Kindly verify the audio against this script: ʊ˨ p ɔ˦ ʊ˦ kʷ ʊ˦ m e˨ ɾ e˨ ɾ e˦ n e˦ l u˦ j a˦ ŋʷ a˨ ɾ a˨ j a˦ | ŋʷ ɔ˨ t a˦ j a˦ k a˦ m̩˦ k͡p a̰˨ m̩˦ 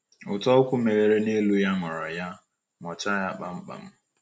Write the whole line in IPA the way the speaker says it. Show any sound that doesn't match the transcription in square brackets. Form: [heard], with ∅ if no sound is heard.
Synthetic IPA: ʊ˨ [t] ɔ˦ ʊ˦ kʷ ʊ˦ m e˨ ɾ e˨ ɾ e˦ n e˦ l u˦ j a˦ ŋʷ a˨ ɾ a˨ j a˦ | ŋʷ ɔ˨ [t͡ʃ] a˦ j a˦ [k͡p] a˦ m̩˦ k͡p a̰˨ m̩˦